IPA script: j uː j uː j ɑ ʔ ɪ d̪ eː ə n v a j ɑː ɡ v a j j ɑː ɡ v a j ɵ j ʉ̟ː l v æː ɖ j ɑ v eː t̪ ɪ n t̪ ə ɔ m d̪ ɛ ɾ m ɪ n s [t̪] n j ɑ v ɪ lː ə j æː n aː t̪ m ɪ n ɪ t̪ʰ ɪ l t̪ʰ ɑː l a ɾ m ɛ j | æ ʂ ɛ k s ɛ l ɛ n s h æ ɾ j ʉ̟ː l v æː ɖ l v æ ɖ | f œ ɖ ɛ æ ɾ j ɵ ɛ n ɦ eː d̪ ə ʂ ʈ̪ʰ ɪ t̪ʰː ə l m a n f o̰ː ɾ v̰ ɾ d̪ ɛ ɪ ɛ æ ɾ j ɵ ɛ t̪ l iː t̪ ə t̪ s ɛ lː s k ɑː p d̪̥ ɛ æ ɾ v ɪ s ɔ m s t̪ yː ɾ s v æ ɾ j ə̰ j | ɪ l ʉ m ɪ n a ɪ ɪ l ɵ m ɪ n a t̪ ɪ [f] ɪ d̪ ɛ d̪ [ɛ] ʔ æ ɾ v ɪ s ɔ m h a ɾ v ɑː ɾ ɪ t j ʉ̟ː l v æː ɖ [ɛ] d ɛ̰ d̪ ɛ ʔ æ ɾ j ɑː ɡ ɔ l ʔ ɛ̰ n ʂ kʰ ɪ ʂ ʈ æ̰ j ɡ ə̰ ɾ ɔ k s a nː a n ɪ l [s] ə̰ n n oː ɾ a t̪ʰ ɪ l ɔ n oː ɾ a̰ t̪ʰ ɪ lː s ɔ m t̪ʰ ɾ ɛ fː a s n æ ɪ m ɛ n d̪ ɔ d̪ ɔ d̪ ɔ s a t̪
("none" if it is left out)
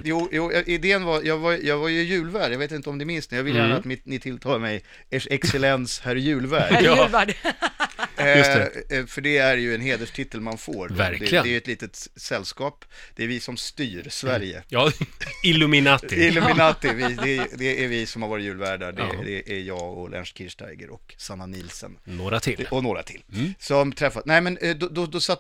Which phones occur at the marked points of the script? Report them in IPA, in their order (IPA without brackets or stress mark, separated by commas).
t̪, v, ɛ, a, s